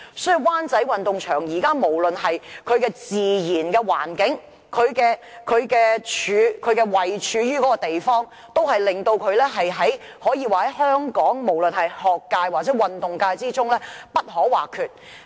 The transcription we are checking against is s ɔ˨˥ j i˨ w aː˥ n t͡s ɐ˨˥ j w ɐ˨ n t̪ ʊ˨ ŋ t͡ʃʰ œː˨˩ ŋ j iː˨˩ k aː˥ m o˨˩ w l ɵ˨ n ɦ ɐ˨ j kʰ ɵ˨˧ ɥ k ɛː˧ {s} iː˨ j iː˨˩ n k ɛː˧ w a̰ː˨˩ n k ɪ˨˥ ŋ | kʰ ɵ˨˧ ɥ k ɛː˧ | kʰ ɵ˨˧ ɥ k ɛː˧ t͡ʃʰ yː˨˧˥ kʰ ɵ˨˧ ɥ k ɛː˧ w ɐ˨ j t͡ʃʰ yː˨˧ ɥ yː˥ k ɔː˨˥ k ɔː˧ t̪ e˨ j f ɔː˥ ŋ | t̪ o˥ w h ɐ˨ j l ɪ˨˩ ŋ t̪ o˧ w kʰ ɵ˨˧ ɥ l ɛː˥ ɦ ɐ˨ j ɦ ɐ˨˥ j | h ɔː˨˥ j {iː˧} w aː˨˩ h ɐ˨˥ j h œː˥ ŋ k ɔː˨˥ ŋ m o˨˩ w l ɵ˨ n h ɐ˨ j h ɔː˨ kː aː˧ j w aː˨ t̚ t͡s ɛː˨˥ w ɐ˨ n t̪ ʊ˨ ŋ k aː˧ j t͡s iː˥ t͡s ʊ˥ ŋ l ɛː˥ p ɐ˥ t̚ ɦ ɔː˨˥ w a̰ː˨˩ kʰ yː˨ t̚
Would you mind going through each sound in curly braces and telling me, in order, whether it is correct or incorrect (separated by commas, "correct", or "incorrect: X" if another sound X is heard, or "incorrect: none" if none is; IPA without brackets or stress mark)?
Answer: incorrect: t͡s, correct